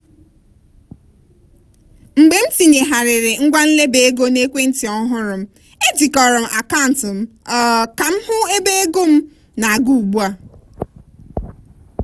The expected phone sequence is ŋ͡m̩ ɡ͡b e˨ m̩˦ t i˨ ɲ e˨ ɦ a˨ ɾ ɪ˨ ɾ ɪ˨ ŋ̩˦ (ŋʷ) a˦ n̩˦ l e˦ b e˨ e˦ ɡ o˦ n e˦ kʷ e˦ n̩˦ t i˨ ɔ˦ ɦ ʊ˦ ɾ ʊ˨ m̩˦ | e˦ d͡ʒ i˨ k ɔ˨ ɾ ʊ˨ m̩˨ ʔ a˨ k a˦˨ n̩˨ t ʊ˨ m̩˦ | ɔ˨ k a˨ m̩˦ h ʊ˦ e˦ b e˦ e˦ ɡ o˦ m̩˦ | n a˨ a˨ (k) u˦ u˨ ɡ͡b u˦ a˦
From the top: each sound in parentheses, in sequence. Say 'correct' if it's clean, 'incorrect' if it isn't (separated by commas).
incorrect, incorrect